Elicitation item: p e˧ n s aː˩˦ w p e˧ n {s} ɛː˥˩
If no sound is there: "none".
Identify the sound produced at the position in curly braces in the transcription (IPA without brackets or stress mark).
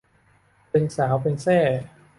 s